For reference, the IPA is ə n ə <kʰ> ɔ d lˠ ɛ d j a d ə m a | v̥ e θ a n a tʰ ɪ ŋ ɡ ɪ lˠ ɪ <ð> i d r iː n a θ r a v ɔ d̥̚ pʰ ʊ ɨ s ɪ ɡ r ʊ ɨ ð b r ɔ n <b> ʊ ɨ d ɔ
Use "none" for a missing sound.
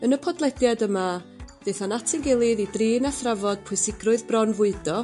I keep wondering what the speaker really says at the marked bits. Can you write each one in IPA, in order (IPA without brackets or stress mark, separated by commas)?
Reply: pʰ, ð, v